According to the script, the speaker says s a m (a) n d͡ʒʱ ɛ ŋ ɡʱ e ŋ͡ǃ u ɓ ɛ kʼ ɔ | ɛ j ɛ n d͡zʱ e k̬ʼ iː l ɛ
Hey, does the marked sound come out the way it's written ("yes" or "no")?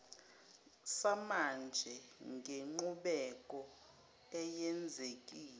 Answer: yes